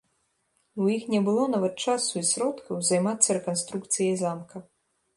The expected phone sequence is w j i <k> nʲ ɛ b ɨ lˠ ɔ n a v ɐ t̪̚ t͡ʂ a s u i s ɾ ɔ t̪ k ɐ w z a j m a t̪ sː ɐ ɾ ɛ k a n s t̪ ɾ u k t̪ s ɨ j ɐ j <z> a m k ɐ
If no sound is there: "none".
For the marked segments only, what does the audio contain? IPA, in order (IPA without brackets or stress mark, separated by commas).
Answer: x, z